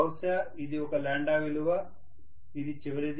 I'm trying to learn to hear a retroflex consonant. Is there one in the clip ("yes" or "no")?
yes